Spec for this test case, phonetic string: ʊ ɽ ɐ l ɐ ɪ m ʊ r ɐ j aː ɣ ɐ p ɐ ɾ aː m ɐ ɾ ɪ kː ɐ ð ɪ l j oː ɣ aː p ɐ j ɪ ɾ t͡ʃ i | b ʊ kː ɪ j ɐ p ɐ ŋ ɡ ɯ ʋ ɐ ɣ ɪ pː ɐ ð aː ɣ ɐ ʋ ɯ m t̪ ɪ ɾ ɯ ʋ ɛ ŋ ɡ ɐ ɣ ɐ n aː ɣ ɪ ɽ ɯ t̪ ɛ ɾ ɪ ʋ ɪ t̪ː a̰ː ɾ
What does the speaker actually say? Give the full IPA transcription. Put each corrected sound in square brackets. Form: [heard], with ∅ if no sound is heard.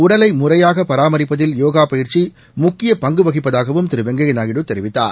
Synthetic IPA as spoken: ʊ ɽ ɐ l ɐ ɪ m ʊ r ɐ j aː ɣ ɐ p ɐ ɾ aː m ɐ ɾ ɪ [pː] ɐ ð ɪ l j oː ɣ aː p ɐ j ɪ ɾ t͡ʃ i | [m] ʊ kː ɪ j ɐ p ɐ ŋ ɡ ɯ ʋ ɐ ɣ ɪ pː ɐ ð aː ɣ ɐ ʋ ɯ m t̪ ɪ ɾ ɯ ʋ ɛ ŋ ɡ ɐ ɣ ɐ n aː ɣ ɪ ɽ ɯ t̪ ɛ ɾ ɪ ʋ ɪ t̪ː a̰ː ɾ